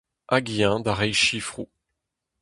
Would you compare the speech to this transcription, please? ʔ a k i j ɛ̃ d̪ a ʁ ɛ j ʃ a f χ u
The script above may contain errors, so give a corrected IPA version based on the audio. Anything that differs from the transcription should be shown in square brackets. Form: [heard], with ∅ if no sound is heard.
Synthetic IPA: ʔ a [ɡ] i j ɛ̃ d̪ a ʁ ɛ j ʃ [i] f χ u